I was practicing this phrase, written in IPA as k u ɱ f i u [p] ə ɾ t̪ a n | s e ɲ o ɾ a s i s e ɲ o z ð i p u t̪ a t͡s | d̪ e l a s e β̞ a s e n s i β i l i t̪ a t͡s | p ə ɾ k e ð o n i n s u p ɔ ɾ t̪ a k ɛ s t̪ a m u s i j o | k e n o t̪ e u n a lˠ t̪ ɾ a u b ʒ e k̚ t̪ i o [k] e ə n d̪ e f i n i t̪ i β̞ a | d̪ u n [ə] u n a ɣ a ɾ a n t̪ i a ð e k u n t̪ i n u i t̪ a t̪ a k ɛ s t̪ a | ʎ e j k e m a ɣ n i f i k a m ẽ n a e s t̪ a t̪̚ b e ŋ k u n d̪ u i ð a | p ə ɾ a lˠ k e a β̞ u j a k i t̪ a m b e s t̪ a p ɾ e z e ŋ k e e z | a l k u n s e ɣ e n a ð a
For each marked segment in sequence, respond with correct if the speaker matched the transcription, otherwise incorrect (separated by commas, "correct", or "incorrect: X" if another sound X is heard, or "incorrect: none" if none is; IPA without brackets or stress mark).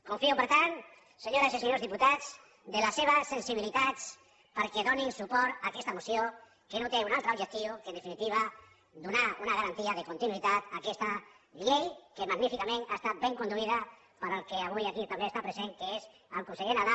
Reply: correct, correct, incorrect: a